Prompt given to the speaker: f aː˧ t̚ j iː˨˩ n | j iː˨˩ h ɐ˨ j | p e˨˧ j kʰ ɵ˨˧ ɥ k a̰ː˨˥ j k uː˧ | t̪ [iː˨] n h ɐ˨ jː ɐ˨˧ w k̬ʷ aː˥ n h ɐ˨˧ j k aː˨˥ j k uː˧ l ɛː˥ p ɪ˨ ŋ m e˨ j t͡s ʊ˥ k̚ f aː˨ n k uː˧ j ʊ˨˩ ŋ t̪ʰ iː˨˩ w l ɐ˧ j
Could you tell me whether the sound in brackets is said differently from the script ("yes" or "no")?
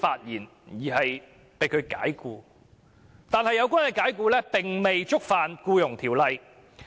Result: yes